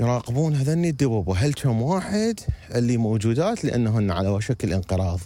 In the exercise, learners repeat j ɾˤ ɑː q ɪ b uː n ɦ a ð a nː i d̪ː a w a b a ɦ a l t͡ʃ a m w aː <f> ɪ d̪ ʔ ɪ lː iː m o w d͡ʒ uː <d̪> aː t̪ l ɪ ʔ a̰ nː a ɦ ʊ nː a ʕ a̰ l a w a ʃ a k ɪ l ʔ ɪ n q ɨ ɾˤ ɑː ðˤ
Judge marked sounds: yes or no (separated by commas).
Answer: no, yes